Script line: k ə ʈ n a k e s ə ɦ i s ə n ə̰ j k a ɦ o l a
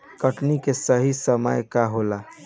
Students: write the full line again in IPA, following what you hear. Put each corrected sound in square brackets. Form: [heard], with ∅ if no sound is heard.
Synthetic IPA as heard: k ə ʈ n [i] k e s ə ɦ i s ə [m] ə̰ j k a ɦ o l a